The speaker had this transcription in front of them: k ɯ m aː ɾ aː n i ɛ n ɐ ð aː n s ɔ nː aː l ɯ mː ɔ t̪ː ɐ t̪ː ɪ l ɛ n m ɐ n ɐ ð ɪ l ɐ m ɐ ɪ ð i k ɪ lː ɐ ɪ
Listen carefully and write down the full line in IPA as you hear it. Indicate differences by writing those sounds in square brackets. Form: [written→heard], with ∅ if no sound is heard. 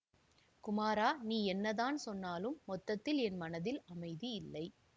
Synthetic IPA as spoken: k [ɯ→ʊ] m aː ɾ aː n [i→iː] ɛ [n→nː] ɐ ð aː n s ɔ nː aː l ɯ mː ɔ t̪ː ɐ t̪ː ɪ l ɛ n m ɐ n ɐ ð ɪ l ɐ m ɐ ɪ ð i [k→∅] ɪ lː ɐ ɪ